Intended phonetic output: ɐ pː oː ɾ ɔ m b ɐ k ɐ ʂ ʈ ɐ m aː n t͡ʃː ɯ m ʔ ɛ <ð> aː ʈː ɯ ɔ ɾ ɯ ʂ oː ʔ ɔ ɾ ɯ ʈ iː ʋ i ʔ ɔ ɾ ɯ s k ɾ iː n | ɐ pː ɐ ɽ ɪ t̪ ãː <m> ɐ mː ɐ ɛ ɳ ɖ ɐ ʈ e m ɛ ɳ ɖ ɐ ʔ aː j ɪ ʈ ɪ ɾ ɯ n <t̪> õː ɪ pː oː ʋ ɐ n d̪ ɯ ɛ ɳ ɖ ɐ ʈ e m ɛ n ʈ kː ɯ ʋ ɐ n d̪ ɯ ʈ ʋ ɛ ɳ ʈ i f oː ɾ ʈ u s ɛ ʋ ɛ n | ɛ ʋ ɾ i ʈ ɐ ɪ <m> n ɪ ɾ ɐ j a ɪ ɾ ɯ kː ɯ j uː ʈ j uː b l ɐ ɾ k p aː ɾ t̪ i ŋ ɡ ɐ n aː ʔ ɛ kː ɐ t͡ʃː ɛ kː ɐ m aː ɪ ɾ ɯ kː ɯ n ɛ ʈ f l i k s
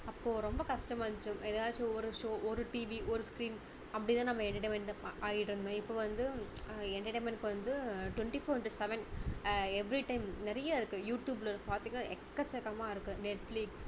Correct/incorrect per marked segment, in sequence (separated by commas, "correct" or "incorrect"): correct, incorrect, incorrect, correct